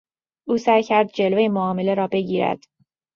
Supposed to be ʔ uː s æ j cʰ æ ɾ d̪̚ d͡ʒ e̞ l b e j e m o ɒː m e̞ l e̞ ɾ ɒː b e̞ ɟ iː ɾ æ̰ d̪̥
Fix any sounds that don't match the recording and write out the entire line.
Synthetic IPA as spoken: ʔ uː s æ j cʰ æ ɾ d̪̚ d͡ʒ e̞ l v e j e m o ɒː m e̞ l e̞ ɾ ɒː b e̞ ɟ iː ɾ æ̰ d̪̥